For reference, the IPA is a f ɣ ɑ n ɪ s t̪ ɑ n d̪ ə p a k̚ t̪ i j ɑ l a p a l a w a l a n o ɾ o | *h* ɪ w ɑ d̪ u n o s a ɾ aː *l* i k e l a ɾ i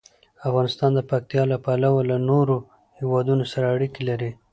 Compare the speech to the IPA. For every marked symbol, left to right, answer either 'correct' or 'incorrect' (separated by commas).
correct, incorrect